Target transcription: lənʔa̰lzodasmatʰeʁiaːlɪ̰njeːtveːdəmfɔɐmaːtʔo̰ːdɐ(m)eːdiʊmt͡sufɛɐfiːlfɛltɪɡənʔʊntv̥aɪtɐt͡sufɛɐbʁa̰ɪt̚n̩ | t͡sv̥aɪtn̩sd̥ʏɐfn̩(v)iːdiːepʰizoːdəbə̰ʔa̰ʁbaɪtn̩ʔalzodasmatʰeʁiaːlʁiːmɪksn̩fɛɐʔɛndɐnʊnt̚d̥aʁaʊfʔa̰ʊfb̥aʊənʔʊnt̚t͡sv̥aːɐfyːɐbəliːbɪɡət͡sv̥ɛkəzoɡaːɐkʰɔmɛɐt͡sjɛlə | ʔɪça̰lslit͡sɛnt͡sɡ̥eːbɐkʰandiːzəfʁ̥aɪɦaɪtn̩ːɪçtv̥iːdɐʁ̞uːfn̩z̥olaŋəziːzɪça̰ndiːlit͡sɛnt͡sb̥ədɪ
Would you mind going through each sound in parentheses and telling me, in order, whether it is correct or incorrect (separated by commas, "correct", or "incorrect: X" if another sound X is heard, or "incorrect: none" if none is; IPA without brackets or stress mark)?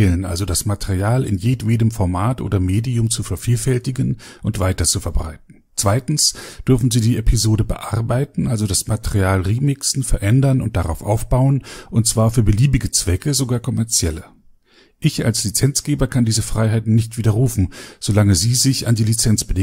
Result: correct, incorrect: z